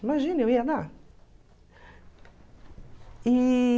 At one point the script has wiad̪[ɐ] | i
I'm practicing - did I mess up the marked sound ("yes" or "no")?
yes